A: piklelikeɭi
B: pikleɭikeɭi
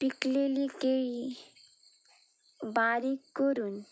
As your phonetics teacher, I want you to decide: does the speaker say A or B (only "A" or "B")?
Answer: A